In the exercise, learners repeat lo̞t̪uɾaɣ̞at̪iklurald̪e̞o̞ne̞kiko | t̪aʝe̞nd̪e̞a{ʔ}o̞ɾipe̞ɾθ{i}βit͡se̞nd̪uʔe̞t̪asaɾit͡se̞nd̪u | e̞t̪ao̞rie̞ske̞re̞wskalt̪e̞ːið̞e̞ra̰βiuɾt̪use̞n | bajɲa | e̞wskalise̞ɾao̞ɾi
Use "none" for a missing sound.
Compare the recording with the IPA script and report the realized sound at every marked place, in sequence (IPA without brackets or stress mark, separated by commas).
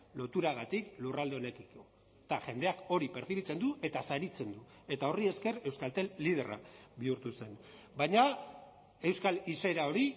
k, i